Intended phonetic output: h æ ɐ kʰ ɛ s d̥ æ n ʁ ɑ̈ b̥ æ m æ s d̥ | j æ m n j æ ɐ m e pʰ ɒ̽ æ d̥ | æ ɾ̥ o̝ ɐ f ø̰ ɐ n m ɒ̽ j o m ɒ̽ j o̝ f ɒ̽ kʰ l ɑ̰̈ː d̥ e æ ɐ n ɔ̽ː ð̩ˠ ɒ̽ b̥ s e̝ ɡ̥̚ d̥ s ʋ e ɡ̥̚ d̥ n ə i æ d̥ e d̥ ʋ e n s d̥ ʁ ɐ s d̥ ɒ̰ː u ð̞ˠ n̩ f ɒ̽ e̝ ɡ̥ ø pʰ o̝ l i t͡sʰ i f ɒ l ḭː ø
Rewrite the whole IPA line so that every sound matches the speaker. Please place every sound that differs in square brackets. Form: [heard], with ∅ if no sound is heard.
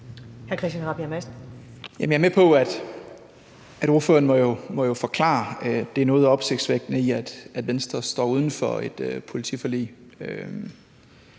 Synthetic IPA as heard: h æ ɐ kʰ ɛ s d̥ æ n ʁ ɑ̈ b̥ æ m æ s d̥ | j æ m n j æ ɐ m e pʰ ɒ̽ æ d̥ | æ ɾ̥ o̝ ɐ f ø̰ ɐ n m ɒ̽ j o m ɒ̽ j o̝ f ɒ̽ kʰ l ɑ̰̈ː d̥ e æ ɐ n ɔ̽ː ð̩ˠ ɒ̽ b̥ s e̝ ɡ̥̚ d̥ s ʋ e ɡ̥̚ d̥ n ə i æ d̥ [æ] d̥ ʋ e n s d̥ ʁ ɐ s d̥ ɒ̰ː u ð̞ˠ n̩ f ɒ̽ e̝ [d̥] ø pʰ o̝ l i t͡sʰ i f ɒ l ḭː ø